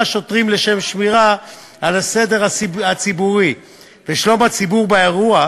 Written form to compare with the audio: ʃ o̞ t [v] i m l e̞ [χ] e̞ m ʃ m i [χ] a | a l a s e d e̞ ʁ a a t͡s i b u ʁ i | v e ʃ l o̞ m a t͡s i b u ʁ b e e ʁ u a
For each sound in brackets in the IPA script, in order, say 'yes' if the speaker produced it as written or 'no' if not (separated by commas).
no, no, no